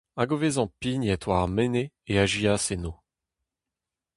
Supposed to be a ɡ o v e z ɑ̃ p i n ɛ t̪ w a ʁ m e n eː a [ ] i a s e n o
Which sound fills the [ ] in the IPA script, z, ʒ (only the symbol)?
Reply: ʒ